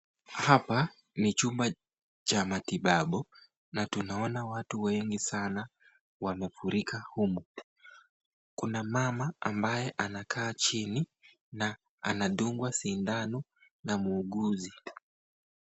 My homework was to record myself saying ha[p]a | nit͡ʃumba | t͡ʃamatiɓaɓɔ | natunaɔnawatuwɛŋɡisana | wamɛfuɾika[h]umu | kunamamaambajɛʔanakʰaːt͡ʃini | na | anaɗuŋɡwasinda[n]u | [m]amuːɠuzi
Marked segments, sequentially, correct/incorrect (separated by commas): correct, correct, correct, incorrect